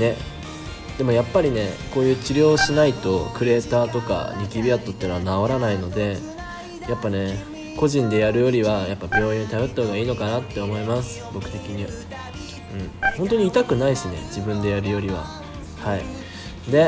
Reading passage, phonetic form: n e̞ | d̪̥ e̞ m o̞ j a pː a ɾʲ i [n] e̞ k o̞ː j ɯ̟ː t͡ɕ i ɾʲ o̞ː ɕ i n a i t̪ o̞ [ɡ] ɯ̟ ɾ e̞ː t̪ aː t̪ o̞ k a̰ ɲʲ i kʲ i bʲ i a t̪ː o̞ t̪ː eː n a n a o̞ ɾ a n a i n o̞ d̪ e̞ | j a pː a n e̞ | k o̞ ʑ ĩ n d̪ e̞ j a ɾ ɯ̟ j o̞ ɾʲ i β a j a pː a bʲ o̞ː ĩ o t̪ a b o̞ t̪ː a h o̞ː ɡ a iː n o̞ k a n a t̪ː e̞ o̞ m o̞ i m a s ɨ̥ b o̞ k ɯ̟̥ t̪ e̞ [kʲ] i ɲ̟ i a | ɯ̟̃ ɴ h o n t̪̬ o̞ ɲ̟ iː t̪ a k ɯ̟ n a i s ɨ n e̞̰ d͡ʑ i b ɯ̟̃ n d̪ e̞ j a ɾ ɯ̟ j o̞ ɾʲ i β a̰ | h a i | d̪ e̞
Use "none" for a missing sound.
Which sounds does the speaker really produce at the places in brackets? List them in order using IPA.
n, k, kʲ

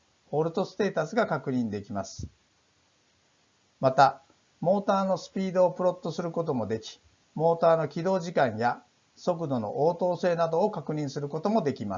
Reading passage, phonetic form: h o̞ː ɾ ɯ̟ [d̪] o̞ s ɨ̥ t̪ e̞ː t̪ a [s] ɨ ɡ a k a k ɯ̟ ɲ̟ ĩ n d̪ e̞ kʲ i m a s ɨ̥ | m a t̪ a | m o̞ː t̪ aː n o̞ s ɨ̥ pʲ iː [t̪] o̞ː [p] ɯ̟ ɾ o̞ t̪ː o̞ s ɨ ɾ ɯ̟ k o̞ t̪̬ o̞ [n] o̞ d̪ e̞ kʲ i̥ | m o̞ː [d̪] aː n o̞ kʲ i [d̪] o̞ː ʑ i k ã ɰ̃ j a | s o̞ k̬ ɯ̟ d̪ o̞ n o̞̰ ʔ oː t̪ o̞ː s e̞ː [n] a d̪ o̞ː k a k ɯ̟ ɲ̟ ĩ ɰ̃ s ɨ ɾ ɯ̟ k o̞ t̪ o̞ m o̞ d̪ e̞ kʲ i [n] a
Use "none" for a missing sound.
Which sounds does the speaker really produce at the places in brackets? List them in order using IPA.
t̪, s, d̪, p, m, t̪, d̪, n, m

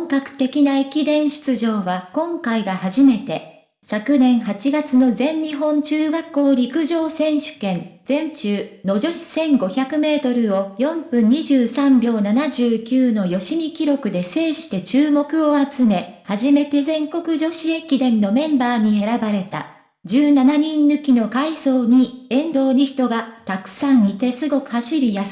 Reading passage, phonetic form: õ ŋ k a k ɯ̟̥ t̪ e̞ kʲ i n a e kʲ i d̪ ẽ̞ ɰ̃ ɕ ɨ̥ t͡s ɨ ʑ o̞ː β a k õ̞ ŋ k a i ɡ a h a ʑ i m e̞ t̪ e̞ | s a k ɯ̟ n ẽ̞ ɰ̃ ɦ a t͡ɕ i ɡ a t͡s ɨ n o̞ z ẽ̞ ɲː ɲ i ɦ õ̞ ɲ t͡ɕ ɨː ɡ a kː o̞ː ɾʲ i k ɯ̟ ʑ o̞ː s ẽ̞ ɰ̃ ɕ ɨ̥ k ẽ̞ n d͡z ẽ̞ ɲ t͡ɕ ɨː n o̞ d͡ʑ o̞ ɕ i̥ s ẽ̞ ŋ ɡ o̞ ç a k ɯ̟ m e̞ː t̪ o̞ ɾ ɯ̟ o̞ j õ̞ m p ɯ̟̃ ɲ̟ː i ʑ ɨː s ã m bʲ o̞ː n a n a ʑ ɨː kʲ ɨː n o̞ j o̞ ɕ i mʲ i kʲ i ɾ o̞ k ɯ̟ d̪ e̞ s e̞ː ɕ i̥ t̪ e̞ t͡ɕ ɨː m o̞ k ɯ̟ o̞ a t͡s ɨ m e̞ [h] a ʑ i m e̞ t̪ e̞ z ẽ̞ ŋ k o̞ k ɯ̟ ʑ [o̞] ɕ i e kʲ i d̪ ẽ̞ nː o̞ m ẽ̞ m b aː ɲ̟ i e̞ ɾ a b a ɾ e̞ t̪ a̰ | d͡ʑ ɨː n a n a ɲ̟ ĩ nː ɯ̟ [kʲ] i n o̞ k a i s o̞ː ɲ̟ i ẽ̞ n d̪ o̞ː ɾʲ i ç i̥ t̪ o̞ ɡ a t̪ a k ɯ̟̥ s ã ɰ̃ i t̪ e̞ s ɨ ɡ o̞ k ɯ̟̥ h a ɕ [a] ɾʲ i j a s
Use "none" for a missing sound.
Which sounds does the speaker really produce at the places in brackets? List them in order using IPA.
h, o̞, kʲ, i

